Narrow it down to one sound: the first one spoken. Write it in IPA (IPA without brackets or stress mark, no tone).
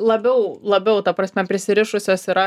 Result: lˠ